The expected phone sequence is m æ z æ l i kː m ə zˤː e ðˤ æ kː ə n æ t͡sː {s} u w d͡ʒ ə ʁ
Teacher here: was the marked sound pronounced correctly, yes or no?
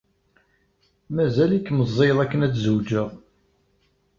no